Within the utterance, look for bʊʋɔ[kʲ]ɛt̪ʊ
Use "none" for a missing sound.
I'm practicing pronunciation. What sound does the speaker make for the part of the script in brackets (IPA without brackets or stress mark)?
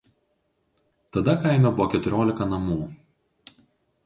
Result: kʲ